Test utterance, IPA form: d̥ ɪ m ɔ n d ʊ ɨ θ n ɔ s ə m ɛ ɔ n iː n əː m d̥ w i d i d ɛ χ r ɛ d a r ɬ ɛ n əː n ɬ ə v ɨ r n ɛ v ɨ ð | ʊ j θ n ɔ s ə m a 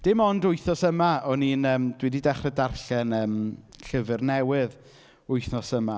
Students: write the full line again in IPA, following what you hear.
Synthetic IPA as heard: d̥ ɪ m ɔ n d ʊ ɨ θ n ɔ s ə m a ɔ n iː n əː m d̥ w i d i d ɛ χ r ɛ d a r ɬ ɛ n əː m ɬ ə v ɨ r n ɛ w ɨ ð | ʊ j θ n ɔ s ə m a

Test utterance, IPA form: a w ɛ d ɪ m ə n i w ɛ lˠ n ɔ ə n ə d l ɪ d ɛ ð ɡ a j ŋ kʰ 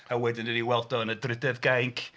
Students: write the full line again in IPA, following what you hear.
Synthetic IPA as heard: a w ɛ d ɪ n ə n i w ɛ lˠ d ɔ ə n ə d r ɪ d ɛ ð ɡ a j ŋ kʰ

